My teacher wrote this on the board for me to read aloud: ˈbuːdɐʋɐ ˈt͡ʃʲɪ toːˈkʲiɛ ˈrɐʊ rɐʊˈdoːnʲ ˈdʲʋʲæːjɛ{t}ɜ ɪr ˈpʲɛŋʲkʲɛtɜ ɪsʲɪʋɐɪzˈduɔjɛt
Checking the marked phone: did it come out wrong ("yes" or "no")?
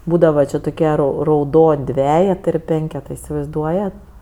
no